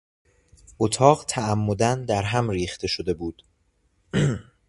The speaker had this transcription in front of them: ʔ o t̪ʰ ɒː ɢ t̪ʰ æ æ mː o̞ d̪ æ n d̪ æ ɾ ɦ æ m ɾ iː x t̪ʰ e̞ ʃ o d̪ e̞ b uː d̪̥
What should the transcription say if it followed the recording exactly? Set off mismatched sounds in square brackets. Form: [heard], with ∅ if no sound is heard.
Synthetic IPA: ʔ o t̪ʰ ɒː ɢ t̪ʰ æ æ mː o̞ d̪ æ n d̪ æ ɾ ɦ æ m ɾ iː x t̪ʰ e̞ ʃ o d̪ e̞ b uː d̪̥